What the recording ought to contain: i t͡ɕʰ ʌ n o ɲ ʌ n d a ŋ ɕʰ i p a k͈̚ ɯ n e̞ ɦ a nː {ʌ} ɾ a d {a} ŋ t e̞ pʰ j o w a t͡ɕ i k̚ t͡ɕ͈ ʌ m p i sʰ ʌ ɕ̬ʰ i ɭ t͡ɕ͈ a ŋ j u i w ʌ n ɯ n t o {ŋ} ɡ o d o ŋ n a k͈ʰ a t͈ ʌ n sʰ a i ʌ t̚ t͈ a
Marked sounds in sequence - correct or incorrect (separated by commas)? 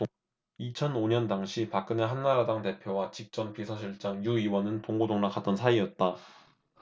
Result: incorrect, correct, correct